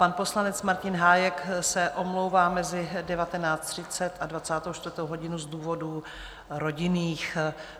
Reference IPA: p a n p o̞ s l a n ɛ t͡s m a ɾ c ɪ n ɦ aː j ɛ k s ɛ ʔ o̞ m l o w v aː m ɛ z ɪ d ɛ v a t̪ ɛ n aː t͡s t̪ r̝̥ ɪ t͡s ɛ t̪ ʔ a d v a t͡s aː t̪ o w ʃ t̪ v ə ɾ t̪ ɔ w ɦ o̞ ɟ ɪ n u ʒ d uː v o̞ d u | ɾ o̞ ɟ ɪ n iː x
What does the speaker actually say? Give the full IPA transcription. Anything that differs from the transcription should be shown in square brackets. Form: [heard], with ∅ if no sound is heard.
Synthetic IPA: p a n p o̞ s l a n ɛ t͡s m a ɾ c ɪ n ɦ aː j ɛ k s ɛ ʔ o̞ m l o w v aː m ɛ z ɪ d ɛ v a t̪ ɛ n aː t͡s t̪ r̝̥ ɪ t͡s ɛ t̪ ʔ a d v a t͡s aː t̪ o w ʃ t̪ v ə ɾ t̪ [o] w ɦ o̞ ɟ ɪ n u [z] d uː v o̞ d u | ɾ o̞ ɟ ɪ n iː x

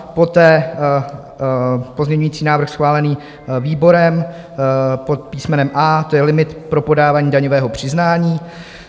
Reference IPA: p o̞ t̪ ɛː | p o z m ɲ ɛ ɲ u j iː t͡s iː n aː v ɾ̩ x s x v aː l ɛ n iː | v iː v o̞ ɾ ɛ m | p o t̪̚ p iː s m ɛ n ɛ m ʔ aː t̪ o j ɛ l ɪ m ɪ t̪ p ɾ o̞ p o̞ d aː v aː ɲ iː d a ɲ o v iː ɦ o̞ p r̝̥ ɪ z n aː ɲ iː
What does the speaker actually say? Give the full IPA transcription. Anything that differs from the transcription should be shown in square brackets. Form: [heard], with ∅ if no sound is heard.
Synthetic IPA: p o̞ t̪ ɛː | p o z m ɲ ɛ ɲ u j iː t͡s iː n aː v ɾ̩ x s x v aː l ɛ n iː | v iː [b] o̞ ɾ ɛ m | p o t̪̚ p iː s m ɛ n ɛ m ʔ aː t̪ o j ɛ l ɪ m ɪ t̪ p ɾ o̞ p o̞ d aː v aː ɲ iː d a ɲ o v [ɛː] ɦ o̞ p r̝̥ ɪ z n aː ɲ iː

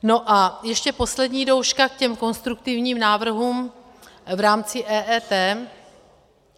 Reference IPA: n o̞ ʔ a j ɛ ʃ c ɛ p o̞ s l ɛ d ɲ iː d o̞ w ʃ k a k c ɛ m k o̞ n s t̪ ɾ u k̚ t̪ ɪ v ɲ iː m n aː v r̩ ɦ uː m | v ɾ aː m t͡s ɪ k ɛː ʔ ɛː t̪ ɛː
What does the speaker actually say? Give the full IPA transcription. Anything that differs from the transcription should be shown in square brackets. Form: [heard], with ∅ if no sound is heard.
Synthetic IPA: n o̞ ʔ a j ɛ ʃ c ɛ p o̞ s l ɛ d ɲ iː d o̞ w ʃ k a k c ɛ m k o̞ n s t̪ ɾ u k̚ t̪ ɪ v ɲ iː m n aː v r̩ ɦ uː m | v ɾ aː m t͡s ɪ [ʔ] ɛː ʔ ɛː t̪ ɛː

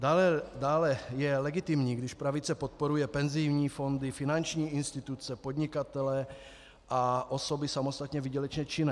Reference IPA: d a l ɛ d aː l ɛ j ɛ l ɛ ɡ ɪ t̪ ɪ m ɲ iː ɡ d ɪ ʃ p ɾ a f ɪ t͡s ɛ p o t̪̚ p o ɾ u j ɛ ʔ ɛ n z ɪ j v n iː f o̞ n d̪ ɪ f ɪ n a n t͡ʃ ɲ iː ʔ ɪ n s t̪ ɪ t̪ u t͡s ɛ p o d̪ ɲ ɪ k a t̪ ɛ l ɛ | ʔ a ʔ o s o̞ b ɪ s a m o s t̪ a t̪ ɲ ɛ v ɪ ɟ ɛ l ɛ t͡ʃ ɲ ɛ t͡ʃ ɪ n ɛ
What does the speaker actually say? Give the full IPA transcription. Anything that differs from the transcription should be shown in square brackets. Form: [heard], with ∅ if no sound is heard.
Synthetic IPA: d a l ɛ d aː l ɛ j ɛ l ɛ ɡ ɪ t̪ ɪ m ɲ iː ɡ d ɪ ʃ p ɾ a [v] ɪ t͡s ɛ p o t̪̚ p o ɾ u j ɛ [p] ɛ n z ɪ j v [ɲ] iː f o̞ n d̪ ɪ f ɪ n a n t͡ʃ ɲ iː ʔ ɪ n s t̪ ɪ t̪ u t͡s ɛ p o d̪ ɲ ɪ k a t̪ ɛ l ɛ | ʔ a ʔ o s o̞ b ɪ s a m o s t̪ a t̪ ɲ ɛ v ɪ ɟ ɛ l ɛ t͡ʃ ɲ ɛ t͡ʃ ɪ n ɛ

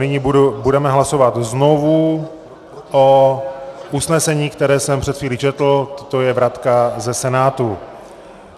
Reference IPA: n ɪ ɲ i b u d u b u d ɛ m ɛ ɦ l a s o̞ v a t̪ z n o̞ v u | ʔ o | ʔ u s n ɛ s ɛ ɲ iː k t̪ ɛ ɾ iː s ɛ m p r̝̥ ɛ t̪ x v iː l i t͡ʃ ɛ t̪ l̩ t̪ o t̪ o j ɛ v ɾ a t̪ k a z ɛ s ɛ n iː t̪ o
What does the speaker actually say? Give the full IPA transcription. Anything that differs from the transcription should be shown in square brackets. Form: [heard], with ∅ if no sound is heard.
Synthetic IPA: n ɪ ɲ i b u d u b u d ɛ m ɛ ɦ l a s o̞ v a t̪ z n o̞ v u | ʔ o | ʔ u s n ɛ s ɛ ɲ iː k t̪ ɛ ɾ [ɛː] s ɛ m p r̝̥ ɛ t̪ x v iː l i t͡ʃ ɛ t̪ l̩ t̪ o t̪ o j ɛ v ɾ a t̪ k a z ɛ s ɛ n [aː] t̪ [u]

